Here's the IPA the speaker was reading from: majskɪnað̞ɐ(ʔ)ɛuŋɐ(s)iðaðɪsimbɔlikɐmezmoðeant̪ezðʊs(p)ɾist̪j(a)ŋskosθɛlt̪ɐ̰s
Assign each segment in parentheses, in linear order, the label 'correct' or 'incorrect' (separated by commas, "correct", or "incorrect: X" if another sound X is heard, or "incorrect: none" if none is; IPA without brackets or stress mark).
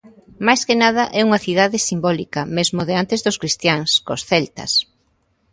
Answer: correct, incorrect: θ, incorrect: k, correct